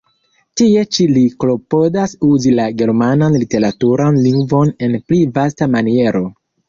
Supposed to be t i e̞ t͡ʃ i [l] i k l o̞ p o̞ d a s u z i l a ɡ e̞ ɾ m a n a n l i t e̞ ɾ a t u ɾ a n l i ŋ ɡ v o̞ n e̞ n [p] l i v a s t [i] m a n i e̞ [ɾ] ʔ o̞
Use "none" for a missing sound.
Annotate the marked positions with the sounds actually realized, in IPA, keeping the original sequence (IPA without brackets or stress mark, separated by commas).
l, p, a, ɾ